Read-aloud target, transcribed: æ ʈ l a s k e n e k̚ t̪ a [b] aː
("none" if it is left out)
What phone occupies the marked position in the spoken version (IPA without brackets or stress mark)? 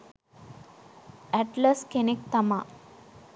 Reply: m